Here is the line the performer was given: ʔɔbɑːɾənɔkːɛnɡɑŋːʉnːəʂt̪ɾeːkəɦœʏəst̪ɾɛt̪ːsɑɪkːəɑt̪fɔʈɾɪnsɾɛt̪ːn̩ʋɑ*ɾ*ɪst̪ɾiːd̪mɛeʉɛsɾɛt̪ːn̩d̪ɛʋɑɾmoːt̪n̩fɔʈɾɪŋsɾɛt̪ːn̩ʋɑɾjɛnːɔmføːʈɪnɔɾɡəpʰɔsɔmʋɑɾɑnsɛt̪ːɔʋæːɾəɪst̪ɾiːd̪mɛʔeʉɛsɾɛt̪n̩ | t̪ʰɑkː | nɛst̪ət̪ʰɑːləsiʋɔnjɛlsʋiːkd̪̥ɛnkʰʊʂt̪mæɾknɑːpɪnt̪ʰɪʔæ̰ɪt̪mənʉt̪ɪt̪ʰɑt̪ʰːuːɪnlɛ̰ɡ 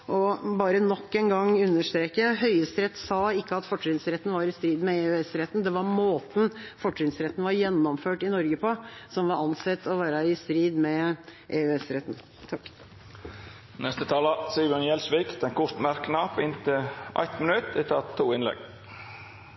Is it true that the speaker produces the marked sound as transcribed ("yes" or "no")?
yes